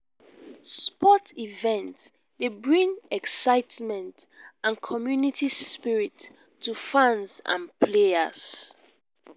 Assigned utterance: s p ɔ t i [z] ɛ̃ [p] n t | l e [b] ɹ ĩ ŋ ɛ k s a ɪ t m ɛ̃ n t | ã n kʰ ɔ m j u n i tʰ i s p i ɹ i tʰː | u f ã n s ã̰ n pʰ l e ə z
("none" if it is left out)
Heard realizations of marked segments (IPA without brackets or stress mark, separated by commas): v, none, b